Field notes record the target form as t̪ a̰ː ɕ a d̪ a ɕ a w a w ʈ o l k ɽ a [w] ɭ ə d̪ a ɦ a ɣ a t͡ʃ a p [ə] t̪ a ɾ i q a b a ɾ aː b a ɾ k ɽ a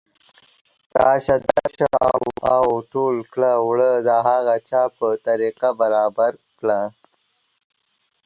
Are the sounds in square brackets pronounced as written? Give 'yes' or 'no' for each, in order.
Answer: yes, yes

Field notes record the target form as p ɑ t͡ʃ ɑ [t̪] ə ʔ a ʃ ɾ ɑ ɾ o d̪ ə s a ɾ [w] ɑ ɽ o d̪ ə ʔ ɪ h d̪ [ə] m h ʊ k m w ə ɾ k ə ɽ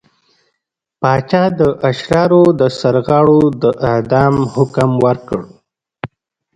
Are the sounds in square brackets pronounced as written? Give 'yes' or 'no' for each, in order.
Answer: no, no, no

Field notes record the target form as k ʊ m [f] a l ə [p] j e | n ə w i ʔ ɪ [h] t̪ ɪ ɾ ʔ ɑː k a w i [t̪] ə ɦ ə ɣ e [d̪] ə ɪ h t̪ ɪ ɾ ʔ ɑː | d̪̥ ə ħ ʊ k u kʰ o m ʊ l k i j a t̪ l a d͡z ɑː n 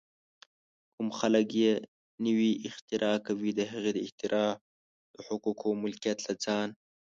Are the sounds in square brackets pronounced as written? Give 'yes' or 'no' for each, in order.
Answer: no, no, no, no, yes

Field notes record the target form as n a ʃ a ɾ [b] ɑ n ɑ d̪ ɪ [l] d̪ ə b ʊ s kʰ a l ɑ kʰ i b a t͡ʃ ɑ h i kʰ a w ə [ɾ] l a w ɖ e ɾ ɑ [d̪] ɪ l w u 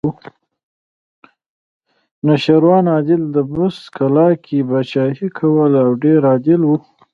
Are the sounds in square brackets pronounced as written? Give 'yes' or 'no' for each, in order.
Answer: no, yes, no, yes

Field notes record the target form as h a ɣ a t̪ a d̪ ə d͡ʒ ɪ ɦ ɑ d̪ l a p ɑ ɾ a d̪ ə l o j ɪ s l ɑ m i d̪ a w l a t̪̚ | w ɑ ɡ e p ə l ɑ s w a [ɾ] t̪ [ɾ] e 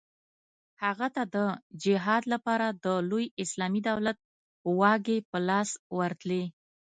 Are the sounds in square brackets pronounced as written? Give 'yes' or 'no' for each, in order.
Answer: yes, no

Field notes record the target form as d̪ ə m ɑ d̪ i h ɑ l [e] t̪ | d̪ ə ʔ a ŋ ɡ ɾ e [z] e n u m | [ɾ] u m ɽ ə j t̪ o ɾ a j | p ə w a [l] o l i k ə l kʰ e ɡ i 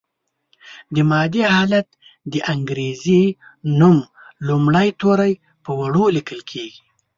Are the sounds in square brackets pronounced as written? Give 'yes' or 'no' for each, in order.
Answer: no, yes, no, no

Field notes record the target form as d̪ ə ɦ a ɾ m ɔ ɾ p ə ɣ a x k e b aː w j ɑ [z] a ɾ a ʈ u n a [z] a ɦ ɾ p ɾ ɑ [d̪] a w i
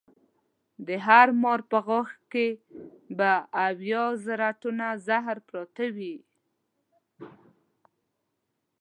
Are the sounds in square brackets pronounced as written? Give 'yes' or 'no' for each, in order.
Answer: yes, yes, no

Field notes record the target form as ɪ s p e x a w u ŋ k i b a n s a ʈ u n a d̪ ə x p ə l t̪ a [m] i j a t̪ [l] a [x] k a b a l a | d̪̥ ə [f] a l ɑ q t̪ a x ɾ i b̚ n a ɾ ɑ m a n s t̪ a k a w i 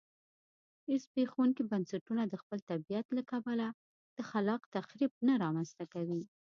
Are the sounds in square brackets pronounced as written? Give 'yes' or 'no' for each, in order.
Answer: no, yes, no, no

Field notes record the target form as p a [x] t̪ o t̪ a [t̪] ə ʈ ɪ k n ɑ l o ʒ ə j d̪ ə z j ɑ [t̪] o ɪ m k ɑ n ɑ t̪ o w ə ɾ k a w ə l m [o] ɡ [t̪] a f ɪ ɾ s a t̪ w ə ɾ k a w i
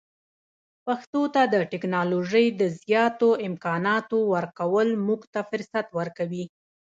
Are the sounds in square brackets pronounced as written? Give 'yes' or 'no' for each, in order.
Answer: yes, no, yes, no, yes

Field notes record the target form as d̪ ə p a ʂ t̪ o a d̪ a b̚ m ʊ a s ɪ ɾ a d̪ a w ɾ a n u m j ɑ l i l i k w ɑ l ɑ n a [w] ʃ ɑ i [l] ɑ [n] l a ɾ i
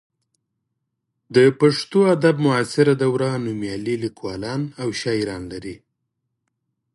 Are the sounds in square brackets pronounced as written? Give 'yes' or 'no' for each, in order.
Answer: yes, no, yes

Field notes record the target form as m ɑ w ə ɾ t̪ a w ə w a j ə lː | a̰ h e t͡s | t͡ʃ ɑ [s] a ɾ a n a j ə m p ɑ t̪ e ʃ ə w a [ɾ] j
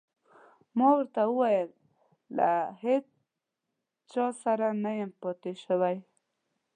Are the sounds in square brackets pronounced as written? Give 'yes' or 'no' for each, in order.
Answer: yes, no

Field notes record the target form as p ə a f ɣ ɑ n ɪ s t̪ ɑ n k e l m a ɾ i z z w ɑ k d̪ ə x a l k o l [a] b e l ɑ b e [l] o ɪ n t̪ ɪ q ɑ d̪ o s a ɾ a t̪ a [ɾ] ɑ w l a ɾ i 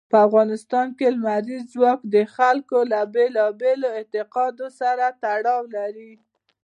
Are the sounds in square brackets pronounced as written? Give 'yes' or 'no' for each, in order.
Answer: yes, yes, no

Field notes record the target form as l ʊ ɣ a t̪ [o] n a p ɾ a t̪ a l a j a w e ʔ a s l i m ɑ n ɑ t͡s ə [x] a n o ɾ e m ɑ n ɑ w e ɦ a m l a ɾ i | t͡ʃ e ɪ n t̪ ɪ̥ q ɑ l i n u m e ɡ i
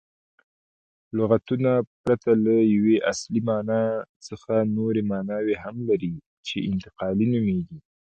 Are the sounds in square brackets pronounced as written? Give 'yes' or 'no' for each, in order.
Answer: no, yes

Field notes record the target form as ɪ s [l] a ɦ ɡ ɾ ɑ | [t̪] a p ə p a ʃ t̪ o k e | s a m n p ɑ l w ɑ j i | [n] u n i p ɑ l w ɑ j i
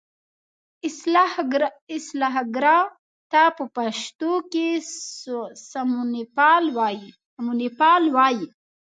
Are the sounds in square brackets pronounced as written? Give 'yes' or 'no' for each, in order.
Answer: yes, yes, no

